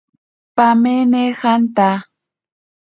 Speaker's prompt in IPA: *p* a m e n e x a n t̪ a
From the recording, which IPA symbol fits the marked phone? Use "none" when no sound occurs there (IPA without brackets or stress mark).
p